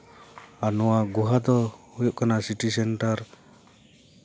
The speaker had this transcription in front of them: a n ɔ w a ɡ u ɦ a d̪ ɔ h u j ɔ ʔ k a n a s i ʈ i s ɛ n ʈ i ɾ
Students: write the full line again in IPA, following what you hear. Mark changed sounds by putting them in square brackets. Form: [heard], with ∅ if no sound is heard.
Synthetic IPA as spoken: a n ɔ w a ɡ u ɦ a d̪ ɔ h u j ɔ ʔ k a n a s i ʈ i s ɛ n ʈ [a] ɾ